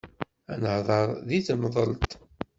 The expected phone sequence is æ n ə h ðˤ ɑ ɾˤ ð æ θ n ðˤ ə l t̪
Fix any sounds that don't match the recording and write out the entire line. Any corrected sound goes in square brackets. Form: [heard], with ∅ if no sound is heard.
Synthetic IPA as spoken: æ n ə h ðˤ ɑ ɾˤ ð [i] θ [m] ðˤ ə l t̪